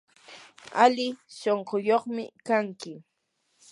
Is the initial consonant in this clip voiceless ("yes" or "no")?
no